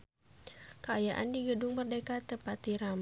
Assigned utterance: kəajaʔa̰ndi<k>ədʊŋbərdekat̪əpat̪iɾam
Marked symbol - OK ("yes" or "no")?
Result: no